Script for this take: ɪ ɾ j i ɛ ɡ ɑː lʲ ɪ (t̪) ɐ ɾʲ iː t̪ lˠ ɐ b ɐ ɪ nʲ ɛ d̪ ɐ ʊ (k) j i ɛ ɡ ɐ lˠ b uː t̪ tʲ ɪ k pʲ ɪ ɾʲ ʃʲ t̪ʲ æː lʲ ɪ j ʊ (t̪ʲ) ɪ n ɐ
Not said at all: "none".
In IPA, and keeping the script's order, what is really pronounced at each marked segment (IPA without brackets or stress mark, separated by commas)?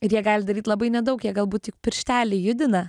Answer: d̪, k, d̪ʲ